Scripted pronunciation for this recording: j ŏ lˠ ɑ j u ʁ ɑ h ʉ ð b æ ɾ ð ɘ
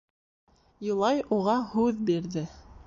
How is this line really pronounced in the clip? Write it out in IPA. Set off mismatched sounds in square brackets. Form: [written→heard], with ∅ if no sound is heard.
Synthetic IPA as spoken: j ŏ lˠ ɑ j u ʁ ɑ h ʉ ð b [æ→i] ɾ ð ɘ